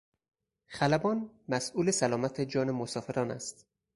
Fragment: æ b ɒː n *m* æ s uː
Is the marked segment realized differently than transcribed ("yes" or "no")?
no